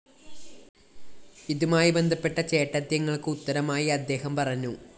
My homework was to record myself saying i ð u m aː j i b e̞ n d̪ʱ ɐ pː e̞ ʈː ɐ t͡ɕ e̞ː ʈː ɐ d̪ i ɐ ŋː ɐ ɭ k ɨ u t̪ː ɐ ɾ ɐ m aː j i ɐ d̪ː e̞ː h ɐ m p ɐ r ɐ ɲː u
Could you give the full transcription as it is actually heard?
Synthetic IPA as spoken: i ð u m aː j i b e̞ n d̪ʱ ɐ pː e̞ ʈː ɐ t͡ɕ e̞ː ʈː ɐ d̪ j ɐ ŋː ɐ ɭ k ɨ u t̪ː ɐ ɾ ɐ m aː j i ɐ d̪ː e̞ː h ɐ m p ɐ r ɐ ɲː u